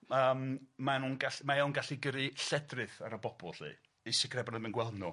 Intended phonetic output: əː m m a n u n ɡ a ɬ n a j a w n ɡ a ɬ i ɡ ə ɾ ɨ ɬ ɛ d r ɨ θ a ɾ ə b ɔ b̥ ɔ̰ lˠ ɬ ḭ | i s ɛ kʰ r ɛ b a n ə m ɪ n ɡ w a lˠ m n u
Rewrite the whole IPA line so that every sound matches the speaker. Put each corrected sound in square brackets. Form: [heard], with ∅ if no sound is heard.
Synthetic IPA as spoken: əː m m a n u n ɡ a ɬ [m] a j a w n ɡ a ɬ i ɡ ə ɾ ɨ ɬ ɛ d r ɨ θ a ɾ ə b ɔ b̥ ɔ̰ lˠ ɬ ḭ | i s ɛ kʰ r ɛ b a n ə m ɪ n ɡ w [ɛ] lˠ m n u